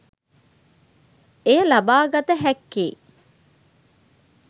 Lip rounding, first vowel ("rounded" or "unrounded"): unrounded